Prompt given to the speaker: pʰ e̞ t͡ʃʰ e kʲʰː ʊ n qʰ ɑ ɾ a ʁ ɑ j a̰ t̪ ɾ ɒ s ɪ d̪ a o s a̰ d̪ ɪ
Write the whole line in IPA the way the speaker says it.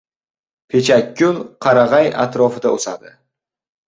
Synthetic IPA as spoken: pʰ e̞ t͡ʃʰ a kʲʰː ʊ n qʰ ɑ ɾ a ʁ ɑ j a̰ t̪ ɾ ɒ f ɪ d̪ a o s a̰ d̪ ɪ

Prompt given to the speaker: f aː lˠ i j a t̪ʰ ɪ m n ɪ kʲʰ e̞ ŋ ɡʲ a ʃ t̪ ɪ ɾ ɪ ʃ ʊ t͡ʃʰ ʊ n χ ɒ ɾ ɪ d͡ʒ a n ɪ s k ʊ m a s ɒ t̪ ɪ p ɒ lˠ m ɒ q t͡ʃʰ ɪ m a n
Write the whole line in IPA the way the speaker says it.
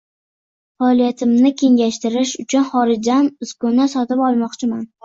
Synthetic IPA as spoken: f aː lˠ i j a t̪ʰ ɪ m n ɪ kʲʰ e̞ ŋ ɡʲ a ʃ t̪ ɪ ɾ ɪ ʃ ʊ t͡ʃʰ ʊ n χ ɒ ɾ ɪ d͡ʒ a n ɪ s k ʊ n a s ɒ t̪ ɪ p ɒ lˠ m ɒ q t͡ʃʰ ɪ m a n

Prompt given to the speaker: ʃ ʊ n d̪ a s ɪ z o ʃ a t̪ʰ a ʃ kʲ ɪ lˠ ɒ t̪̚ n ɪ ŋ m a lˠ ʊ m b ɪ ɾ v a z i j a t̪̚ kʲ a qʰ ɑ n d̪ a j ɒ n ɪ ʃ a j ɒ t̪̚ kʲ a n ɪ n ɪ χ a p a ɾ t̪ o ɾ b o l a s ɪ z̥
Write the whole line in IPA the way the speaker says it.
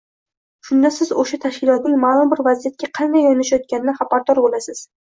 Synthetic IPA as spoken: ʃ ʊ n d̪ a s ɪ z o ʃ a t̪ʰ a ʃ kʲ ɪ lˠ ɒ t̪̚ n ɪ ŋ m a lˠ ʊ m b ɪ ɾ v a z i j a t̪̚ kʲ a qʰ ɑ n d̪ a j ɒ n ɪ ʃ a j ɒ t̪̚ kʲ a n ɪ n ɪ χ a p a ɾ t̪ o ɾ b o l a s ɪ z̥

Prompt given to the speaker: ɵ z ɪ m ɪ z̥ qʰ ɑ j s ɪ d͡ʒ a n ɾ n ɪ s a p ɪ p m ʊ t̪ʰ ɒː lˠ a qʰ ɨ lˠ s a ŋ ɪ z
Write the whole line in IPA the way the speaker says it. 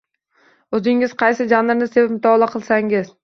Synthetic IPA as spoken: ɵ z ɪ ŋ ɪ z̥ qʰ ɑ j s ɪ d͡ʒ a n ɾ n ɪ s e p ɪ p m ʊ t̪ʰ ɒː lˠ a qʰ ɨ lˠ s a ŋ ɪ z

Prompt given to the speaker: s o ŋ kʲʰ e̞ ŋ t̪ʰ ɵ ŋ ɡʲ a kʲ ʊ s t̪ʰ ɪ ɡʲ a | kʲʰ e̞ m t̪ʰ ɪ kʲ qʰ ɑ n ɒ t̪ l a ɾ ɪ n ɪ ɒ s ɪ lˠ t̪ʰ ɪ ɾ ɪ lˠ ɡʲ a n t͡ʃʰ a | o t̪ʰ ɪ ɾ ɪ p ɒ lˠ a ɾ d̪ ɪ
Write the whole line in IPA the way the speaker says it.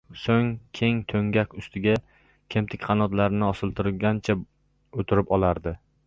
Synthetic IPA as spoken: s o ŋ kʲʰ e̞ ŋ t̪ʰ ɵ ŋ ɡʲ a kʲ ʊ s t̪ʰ ɪ ɡʲ a | kʲʰ e̞ m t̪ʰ ɪ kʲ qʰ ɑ n ɒ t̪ l a ɾ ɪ n ɪ ɒ s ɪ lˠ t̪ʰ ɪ ɾ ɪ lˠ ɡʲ a n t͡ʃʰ a | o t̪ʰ ɪ ɾ ɪ p ɒ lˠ a ɾ d̪ ɪ

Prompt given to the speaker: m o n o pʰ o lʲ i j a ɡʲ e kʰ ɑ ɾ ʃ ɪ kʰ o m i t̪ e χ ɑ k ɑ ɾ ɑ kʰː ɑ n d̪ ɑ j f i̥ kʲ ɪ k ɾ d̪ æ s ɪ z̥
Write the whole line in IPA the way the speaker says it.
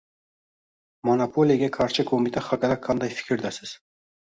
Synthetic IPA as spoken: m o n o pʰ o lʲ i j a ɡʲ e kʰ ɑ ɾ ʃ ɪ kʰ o m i t̪ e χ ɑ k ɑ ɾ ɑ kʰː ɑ n d̪ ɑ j f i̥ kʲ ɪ ɾ d̪ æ s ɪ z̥

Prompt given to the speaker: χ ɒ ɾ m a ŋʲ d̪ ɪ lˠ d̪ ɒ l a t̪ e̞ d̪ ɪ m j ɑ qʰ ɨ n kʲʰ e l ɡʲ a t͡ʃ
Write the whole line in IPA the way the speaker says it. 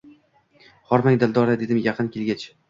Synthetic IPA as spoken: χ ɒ ɾ m a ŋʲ d̪ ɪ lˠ d̪ ɒ ɾ a d̪ e̞ d̪ ɪ m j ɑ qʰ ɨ n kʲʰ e l ɡʲ a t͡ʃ

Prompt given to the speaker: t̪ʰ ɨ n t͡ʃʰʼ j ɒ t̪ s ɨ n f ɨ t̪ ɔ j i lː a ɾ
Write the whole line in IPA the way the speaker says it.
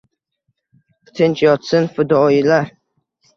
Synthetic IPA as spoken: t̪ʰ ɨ n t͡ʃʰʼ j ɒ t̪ s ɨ n f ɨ d̪ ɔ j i l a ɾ

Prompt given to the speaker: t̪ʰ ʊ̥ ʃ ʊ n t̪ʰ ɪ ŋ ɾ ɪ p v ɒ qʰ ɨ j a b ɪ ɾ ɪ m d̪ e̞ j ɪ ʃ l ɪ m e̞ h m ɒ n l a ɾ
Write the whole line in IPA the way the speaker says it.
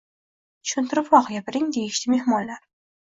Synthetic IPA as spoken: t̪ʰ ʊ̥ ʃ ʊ n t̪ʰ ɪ ɾ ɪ p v ɒ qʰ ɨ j a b ɪ ɾ ɪ ŋ d̪ e̞ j ɪ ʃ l ɪ m e̞ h m ɒ n l a ɾ

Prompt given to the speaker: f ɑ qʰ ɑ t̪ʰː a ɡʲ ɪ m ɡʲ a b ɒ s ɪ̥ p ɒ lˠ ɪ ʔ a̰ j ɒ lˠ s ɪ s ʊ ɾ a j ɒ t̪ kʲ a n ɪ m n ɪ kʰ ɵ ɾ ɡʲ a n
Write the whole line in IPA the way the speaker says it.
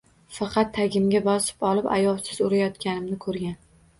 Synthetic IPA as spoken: f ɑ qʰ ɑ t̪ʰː a ɡʲ ɪ m ɡʲ a b ɒ s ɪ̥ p ɒ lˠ ɪ p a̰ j ɒ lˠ s ɪ z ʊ ɾ a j ɒ t̪ kʲ a n ɪ m n ɪ kʰ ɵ ɾ ɡʲ a n

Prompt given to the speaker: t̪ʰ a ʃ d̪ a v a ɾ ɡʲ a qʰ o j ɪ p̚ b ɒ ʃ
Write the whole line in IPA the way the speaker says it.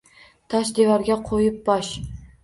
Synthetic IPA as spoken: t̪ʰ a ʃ d̪ e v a ɾ ɡʲ a qʰ o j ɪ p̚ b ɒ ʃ

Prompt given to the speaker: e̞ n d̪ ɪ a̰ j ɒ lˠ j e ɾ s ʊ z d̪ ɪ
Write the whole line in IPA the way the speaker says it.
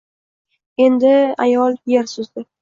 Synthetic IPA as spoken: e̞ n d̪ ɪ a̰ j ɒ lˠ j e ɾ s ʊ z d̪ ɪ

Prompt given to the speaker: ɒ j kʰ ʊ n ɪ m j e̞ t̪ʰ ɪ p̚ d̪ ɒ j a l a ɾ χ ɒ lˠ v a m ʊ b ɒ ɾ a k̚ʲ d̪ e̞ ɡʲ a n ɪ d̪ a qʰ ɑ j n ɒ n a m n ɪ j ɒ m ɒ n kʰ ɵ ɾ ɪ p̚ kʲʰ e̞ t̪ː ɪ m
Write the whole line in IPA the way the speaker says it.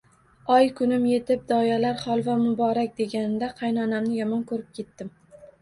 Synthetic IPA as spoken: ɒ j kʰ ʊ n ɪ m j e̞ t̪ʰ ɪ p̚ d̪ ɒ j a l a ɾ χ ɒ lˠ v a m ʊ b ɒ ɾ a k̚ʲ d̪ e̞ ɡʲ a n ɪ d̪ a qʰ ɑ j n ɒ n a m n ɪ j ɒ m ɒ n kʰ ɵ ɾ ɪ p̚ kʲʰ e̞ t̪ː ɪ m

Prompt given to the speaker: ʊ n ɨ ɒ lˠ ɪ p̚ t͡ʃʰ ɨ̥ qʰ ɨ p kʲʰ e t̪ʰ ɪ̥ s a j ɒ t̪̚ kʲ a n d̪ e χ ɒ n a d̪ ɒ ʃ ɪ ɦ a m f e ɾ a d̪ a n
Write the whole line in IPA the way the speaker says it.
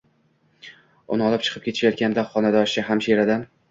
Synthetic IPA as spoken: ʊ n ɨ ɒ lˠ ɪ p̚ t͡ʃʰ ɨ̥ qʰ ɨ p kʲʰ e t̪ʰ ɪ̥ ʃ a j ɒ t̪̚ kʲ a n d̪ a χ ɒ n a d̪ ɒ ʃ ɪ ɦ a m ʃ e ɾ a d̪ a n

